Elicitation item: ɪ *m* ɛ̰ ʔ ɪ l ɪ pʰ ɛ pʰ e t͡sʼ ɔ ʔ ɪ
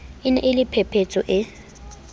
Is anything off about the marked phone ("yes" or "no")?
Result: yes